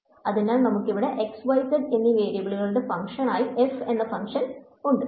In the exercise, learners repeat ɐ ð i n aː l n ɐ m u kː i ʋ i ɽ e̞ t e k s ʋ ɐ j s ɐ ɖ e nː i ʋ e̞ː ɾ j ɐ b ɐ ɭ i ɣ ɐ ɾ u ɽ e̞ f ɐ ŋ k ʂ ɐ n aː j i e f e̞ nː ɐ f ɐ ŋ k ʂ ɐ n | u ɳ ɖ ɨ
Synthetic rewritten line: ɐ ð i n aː l n ɐ m u kː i ʋ i ɽ e̞ ʔ e k s ʋ ɐ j s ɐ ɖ e nː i ʋ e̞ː ɾ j ɐ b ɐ ɭ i ɣ ɐ ɭ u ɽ e̞ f ɐ ŋ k ʂ ɐ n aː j i e f e̞ nː ɐ f ɐ ŋ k ʂ ɐ n | u ɳ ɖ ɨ